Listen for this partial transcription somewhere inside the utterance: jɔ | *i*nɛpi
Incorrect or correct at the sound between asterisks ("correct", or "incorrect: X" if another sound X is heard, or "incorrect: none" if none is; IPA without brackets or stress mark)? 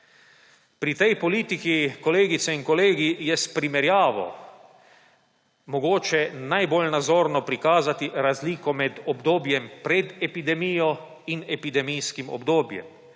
correct